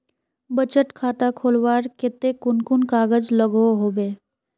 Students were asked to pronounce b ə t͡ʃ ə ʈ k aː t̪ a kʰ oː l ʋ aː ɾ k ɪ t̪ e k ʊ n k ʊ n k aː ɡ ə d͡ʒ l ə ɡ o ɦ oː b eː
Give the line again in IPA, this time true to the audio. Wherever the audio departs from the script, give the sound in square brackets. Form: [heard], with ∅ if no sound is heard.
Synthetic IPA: b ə t͡ʃ ə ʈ [kʰ] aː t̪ a kʰ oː l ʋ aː ɾ k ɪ t̪ e k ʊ n k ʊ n k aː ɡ ə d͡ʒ l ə ɡ o ɦ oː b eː